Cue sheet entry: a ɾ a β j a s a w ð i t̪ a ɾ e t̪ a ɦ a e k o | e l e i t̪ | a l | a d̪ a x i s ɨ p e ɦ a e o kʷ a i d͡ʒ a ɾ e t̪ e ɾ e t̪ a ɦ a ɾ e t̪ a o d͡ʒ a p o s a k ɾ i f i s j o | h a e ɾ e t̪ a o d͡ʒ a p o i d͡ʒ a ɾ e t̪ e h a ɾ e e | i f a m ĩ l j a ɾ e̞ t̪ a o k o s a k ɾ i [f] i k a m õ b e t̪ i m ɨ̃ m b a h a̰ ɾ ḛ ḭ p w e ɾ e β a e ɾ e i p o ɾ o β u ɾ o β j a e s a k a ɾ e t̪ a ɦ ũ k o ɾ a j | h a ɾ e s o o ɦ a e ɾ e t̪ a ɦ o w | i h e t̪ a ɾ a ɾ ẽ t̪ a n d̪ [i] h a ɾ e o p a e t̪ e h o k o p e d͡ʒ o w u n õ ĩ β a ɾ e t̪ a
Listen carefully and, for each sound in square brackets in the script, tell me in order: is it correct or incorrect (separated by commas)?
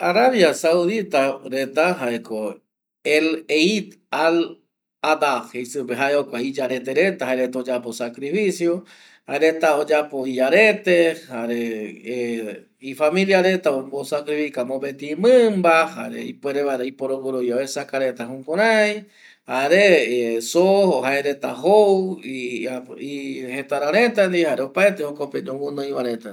correct, correct